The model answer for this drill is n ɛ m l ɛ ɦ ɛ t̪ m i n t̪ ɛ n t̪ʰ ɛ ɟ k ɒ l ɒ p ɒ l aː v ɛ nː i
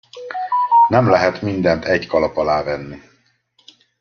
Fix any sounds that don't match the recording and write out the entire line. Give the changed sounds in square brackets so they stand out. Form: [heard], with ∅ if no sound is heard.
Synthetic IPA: n ɛ m l ɛ ɦ ɛ t̪ m i n [d̪] ɛ n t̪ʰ ɛ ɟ k ɒ l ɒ p ɒ l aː v ɛ nː i